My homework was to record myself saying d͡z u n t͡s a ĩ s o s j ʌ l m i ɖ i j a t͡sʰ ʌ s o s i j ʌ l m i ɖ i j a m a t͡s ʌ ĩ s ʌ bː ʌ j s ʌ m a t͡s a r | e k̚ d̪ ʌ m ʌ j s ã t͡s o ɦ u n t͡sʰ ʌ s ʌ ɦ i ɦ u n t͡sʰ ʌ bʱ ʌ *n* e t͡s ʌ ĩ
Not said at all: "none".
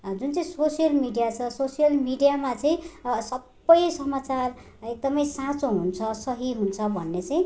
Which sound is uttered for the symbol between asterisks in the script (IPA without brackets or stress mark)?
nː